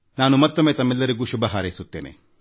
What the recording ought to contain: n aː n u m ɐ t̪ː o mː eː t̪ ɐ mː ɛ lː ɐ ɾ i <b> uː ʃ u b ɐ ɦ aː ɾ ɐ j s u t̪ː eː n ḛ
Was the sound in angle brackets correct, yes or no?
no